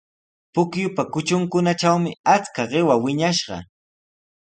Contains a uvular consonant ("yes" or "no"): yes